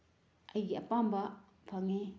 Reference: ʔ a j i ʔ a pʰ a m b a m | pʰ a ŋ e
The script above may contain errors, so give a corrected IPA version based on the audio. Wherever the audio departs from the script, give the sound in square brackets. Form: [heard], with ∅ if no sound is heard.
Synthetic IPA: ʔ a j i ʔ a [p] a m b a [∅] | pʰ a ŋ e